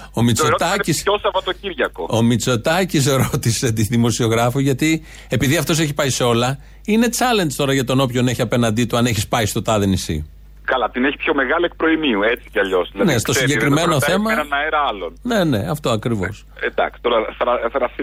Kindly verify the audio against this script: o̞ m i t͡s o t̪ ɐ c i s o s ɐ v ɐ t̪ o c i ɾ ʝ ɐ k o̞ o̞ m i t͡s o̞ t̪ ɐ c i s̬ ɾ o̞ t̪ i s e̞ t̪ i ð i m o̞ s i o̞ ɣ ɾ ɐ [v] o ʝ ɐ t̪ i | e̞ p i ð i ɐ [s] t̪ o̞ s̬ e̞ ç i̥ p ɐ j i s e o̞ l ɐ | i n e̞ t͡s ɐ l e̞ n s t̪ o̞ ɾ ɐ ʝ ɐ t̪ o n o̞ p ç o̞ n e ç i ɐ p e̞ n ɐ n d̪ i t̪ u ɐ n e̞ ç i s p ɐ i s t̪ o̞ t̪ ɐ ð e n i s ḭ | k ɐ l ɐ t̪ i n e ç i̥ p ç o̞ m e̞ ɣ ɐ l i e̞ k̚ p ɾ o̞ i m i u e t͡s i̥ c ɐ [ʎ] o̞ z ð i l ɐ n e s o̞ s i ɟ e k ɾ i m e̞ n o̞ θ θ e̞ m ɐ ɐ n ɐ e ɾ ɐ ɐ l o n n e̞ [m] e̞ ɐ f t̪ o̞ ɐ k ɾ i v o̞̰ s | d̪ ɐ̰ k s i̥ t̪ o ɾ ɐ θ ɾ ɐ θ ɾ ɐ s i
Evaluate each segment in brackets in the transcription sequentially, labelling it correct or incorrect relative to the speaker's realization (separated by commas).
incorrect, incorrect, correct, incorrect